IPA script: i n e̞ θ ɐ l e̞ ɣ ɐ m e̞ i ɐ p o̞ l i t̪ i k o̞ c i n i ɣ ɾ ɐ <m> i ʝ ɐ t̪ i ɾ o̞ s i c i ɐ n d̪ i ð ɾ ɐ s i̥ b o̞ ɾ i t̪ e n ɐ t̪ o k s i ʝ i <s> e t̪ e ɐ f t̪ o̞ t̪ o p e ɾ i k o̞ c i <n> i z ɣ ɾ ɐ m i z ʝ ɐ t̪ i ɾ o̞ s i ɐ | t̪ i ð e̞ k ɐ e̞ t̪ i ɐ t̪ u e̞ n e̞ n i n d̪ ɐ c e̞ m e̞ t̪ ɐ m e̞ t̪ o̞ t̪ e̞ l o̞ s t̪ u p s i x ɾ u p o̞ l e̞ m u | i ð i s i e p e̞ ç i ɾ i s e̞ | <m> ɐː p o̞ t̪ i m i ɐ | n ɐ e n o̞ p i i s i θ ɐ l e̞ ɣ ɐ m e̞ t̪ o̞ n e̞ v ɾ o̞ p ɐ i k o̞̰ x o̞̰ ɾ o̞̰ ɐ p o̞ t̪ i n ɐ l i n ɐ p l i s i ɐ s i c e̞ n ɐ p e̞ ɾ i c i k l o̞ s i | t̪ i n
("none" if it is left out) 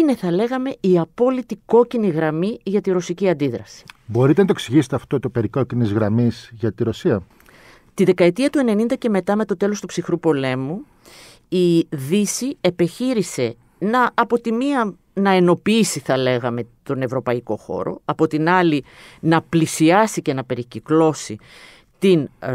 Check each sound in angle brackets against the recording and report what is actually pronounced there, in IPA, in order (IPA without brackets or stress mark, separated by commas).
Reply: m, s, n, n